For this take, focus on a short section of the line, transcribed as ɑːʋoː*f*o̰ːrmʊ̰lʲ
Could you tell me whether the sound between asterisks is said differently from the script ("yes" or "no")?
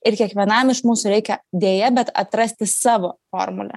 no